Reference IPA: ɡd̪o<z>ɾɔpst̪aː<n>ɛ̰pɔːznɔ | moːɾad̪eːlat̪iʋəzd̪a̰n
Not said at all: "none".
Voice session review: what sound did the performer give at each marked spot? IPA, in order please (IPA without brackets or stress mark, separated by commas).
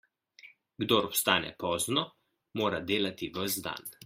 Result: none, n